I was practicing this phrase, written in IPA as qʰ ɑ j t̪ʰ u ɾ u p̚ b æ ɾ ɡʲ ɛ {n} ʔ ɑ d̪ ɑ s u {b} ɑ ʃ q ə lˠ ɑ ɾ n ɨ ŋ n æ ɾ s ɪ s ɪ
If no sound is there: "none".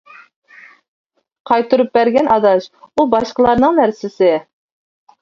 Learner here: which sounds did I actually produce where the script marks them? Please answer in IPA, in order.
n, b

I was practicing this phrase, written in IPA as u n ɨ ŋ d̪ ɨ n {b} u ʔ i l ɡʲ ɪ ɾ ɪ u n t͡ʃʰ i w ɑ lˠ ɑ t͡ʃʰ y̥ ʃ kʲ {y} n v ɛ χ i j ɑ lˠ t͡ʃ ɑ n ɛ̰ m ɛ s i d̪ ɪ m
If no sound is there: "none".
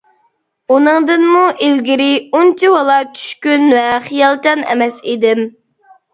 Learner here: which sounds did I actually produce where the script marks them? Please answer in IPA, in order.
m, y

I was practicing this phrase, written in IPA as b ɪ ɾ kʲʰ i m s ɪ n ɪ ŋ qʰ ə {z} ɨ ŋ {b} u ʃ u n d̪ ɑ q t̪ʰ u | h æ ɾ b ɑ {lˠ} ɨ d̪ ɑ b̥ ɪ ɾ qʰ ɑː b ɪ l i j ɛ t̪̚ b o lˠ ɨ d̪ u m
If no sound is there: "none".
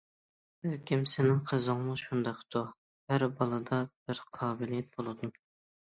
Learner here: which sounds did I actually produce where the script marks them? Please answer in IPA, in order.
z, m, lˠ

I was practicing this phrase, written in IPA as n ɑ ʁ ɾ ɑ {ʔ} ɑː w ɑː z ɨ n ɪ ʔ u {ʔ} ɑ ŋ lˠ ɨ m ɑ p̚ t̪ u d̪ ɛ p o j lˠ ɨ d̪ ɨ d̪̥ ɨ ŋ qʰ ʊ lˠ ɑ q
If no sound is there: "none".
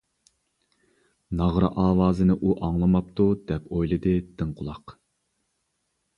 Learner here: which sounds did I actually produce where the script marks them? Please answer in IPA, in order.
ʔ, ʔ

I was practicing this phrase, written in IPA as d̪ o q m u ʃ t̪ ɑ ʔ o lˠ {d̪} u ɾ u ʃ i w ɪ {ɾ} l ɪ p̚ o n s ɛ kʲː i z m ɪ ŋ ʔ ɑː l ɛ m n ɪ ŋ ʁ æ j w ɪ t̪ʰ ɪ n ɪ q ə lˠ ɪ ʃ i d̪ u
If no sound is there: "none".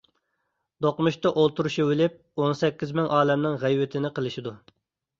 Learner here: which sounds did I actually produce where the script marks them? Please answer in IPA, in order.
t̪, none

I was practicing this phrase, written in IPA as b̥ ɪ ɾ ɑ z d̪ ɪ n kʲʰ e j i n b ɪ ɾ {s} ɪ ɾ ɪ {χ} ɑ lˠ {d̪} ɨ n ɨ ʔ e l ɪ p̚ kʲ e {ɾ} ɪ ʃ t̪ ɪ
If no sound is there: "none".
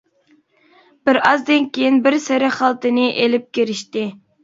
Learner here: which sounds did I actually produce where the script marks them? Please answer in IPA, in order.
s, χ, t̪, ɾ

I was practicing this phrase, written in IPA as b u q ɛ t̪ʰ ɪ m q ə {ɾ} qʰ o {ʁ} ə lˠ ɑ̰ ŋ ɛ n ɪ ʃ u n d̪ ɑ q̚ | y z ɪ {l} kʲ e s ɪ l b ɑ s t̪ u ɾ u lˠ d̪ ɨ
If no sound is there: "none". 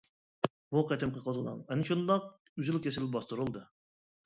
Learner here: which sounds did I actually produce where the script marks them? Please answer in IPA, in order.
none, z, l

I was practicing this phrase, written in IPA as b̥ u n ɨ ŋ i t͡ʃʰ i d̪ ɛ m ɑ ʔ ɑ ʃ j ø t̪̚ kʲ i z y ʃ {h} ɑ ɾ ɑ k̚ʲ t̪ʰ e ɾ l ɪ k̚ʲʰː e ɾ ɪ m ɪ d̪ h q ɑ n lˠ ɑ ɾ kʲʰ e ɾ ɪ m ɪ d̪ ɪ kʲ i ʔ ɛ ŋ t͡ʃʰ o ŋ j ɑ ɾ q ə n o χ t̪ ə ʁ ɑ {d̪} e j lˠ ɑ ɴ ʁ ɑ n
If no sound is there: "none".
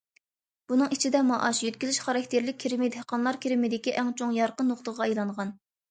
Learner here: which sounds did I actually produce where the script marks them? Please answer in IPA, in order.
χ, none

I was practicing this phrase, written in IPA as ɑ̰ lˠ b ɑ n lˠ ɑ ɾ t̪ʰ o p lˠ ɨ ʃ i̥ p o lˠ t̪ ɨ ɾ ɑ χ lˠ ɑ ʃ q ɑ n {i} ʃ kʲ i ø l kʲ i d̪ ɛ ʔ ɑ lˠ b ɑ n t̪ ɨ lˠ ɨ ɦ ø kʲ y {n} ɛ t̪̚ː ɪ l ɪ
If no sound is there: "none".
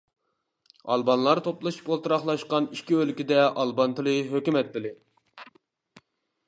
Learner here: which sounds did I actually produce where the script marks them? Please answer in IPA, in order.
i, m

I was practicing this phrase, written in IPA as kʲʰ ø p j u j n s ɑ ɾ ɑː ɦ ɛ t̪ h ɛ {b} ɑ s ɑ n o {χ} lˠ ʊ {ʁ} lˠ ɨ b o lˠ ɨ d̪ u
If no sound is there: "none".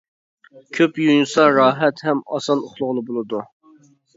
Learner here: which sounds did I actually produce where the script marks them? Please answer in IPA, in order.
m, χ, ʁ

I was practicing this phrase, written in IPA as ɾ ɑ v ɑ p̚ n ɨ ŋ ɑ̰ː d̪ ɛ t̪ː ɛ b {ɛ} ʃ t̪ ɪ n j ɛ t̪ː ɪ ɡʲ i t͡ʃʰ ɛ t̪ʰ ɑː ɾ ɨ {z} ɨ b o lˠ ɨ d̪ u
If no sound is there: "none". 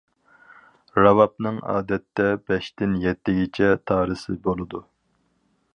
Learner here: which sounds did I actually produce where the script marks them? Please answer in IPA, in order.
ɛ, s

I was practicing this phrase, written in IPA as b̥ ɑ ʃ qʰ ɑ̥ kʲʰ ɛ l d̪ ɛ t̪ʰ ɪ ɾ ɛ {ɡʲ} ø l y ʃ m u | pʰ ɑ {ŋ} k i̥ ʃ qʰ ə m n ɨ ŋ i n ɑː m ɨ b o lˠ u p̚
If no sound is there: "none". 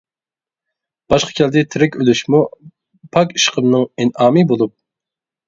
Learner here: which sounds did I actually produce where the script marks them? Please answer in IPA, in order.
kʲ, none

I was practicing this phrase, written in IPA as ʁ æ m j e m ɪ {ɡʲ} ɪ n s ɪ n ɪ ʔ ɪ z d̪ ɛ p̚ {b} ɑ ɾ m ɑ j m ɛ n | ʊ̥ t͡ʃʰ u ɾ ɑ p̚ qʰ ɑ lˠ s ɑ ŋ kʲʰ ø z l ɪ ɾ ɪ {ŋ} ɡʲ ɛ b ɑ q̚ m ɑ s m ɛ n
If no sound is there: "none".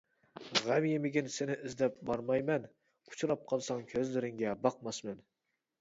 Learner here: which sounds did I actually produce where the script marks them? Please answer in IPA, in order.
ɡʲ, b, ŋ

